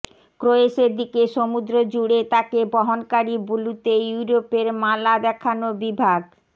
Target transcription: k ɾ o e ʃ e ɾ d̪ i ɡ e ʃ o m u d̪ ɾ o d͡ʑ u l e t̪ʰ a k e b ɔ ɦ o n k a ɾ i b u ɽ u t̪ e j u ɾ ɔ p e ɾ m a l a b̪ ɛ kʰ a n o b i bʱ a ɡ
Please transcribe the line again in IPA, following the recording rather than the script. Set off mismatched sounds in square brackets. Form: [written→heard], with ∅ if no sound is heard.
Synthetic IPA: k ɾ o e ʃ e ɾ d̪ i [ɡ→k] e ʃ o m u d̪ ɾ o d͡ʑ u [l→ɽ] e [t̪ʰ→t̪] a k e b ɔ ɦ o n k a ɾ i b u [ɽ→l] u t̪ e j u ɾ [ɔ→o] p e ɾ m a l a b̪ ɛ kʰ a n o b i bʱ a ɡ